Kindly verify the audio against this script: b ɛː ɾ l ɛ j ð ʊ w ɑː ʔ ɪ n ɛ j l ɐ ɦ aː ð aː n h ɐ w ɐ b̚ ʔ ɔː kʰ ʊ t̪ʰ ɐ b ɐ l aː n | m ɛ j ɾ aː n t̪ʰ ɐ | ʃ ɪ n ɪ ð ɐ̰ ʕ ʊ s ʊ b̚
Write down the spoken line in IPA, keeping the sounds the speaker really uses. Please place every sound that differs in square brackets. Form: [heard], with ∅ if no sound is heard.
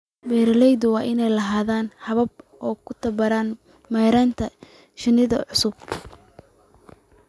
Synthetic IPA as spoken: b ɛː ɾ l ɛ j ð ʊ w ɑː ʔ ɪ n ɛ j l ɐ ɦ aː ð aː n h ɐ [β] ɐ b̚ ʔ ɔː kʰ ʊ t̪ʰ ɐ b ɐ [ɾ] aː n | m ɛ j ɾ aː n t̪ʰ ɐ | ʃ ɪ n ɪ ð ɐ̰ ʕ ʊ s ʊ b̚